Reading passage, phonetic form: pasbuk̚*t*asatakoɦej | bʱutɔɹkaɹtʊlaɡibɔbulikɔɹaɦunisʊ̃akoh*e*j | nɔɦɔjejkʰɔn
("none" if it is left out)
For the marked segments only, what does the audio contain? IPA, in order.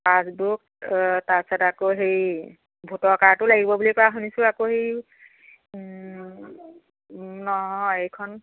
t, e

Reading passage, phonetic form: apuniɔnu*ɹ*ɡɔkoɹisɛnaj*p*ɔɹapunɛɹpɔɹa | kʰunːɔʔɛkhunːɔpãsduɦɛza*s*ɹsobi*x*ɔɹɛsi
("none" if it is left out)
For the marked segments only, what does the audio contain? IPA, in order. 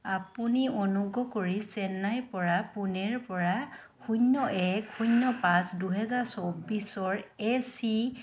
none, p, none, s

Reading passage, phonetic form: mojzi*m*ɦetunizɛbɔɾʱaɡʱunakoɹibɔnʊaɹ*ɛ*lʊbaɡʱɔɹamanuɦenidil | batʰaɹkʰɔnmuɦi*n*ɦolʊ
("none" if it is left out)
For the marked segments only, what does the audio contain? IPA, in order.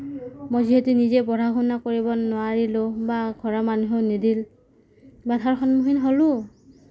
none, i, n

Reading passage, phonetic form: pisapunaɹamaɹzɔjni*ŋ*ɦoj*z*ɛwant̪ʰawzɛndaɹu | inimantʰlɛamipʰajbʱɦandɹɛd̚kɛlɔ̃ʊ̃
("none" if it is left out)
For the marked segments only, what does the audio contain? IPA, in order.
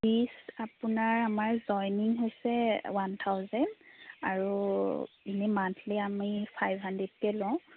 ŋ, s

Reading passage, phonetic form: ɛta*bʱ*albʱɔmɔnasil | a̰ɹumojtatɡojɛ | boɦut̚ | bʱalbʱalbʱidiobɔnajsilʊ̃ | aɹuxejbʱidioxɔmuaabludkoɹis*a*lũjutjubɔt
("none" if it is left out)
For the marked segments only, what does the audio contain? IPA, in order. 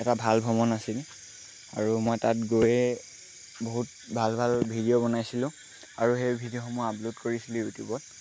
bʱ, i

